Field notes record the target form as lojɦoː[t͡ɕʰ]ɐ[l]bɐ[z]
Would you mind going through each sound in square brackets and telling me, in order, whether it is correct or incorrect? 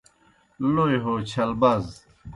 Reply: correct, correct, correct

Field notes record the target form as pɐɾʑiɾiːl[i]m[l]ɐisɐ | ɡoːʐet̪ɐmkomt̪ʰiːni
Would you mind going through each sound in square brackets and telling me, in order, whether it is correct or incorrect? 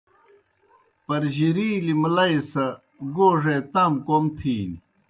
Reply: correct, correct

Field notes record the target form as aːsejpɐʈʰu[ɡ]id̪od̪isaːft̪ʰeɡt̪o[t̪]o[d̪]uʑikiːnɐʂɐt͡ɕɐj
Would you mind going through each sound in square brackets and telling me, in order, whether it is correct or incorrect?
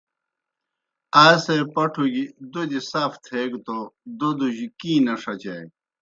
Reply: correct, incorrect, correct

